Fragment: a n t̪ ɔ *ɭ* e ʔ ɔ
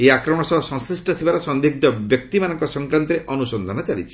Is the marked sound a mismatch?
yes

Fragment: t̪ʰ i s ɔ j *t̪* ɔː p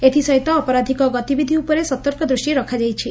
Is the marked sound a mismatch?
no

